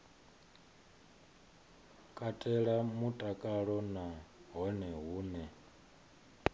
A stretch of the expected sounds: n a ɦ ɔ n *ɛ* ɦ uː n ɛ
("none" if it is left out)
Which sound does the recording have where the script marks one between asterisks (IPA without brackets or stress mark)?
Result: ɛ